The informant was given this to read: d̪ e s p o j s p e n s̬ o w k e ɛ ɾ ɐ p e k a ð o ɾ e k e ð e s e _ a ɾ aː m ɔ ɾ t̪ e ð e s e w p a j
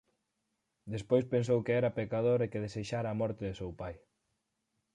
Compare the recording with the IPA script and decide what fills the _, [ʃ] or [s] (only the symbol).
ʃ